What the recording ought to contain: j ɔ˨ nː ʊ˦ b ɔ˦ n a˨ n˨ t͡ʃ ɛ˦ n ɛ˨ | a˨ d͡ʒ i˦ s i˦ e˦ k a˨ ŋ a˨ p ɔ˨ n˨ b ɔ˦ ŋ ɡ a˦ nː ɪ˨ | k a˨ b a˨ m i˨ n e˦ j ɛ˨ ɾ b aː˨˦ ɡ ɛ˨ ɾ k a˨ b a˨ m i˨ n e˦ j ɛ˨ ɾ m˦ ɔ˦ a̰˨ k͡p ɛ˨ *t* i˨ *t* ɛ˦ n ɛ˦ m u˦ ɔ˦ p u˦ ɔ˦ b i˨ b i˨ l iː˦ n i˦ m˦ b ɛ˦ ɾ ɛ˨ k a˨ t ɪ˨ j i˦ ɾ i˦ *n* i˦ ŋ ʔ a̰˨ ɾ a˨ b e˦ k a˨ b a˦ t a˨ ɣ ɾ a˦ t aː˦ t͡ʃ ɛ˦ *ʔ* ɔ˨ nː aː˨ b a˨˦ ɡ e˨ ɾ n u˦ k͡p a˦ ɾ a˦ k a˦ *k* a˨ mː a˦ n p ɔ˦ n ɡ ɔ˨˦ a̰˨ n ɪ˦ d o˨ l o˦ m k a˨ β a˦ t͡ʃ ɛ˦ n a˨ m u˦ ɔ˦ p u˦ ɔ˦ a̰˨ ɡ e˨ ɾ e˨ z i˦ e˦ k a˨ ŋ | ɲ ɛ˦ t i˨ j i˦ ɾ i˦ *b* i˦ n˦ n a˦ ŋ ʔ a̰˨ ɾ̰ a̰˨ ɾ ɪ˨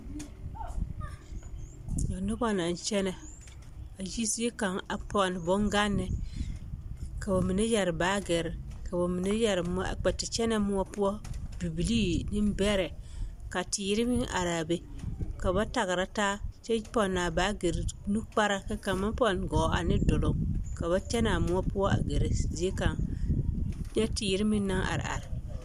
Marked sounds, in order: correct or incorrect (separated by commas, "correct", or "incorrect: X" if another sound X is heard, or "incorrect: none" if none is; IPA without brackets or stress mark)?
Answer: correct, incorrect: t͡ʃ, incorrect: m, incorrect: p, correct, incorrect: m